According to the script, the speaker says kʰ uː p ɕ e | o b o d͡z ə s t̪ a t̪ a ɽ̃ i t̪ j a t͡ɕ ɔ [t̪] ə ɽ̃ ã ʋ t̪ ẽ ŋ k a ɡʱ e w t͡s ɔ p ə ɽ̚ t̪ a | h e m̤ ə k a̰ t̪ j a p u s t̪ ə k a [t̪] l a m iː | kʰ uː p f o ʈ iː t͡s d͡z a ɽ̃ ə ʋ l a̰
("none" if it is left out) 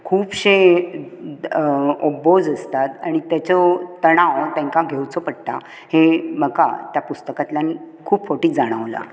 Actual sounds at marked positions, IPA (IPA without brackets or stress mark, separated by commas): t̪, t̪